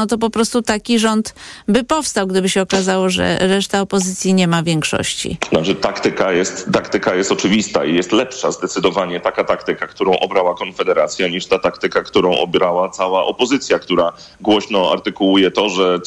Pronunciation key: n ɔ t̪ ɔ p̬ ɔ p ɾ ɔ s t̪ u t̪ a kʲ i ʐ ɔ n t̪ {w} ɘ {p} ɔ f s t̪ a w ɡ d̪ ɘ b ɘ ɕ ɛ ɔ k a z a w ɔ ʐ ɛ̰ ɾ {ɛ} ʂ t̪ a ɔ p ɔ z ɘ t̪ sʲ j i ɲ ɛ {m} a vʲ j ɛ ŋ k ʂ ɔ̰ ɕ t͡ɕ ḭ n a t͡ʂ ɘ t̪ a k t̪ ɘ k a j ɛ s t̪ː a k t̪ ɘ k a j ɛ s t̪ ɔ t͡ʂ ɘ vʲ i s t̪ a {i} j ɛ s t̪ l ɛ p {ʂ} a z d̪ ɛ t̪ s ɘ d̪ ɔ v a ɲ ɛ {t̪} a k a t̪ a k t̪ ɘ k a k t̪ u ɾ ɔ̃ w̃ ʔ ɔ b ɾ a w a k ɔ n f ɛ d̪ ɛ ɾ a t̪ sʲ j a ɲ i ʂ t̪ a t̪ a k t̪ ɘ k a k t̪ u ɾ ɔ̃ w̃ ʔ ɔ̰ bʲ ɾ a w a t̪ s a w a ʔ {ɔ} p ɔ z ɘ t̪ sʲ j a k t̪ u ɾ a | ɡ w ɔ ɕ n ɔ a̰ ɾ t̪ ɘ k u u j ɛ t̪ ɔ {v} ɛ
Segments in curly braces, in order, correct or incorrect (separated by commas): incorrect, correct, correct, correct, correct, correct, correct, correct, incorrect